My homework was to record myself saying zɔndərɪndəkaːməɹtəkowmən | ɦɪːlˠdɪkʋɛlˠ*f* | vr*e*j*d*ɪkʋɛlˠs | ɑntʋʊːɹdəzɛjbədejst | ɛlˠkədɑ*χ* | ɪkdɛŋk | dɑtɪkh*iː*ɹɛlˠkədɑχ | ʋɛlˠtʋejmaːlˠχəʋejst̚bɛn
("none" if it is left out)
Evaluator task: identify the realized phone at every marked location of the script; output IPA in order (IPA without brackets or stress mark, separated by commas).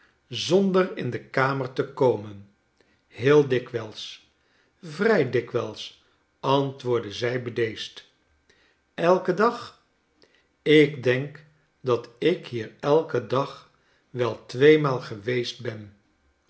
s, ɛ, d, χ, iː